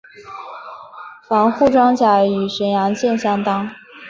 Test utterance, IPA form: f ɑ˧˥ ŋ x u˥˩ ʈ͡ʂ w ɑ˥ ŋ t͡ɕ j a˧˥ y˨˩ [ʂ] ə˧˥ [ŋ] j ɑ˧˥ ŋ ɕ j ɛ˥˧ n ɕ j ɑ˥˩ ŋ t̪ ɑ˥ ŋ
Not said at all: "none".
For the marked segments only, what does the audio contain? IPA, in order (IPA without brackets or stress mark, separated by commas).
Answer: ʂ, n